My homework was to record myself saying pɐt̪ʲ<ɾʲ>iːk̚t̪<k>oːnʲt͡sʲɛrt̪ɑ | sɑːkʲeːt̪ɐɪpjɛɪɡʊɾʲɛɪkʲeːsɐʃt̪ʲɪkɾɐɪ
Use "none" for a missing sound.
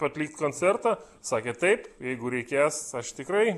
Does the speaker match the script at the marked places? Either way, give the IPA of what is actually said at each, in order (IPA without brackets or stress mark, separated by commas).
lʲ, k